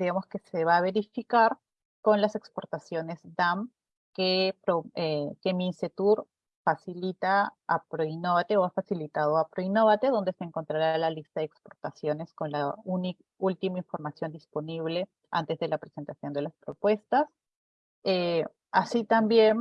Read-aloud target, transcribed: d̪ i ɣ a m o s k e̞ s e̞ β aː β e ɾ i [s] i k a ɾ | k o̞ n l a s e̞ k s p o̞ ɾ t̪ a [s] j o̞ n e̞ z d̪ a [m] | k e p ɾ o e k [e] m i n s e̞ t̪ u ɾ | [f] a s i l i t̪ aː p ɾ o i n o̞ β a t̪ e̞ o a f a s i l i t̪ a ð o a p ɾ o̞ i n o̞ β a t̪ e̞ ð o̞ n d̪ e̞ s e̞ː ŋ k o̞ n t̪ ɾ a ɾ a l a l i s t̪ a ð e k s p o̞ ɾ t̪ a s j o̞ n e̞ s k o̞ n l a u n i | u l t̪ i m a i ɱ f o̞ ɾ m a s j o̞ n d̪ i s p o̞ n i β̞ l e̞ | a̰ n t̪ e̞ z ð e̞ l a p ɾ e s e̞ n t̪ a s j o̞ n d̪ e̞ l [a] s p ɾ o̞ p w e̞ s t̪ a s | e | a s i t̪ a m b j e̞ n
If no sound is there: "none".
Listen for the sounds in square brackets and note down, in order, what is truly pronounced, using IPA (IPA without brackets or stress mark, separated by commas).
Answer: f, s, m, e, f, a